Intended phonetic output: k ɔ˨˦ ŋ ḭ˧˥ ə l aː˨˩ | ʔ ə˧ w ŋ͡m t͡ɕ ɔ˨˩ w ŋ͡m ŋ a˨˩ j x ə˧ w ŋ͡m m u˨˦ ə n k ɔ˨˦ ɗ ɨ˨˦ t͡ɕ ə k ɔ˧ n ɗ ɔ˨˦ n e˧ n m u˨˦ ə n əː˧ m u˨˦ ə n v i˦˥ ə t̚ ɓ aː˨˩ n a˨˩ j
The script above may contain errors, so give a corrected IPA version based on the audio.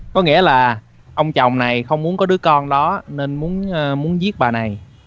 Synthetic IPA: k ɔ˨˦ ŋ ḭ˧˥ ə l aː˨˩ | ʔ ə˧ w ŋ͡m t͡ɕ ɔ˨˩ w ŋ͡m n a˨˩ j x ə˧ w ŋ͡m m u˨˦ ə n k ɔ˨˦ ɗ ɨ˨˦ ə k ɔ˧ n ɗ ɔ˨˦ n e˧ n m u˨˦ ə n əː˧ m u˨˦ ə n z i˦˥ ə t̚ ɓ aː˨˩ n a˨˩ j